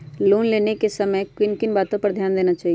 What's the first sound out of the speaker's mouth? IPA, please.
l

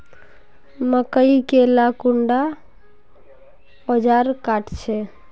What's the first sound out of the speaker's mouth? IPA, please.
m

